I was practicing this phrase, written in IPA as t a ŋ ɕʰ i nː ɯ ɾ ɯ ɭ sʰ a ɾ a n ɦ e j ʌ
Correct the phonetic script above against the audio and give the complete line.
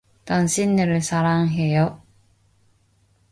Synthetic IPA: t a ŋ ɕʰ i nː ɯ ɾ ɯ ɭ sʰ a ɾ a ŋ ɦ e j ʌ